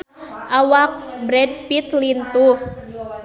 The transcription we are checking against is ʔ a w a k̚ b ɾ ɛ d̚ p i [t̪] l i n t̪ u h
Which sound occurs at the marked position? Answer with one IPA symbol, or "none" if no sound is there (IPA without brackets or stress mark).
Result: t̪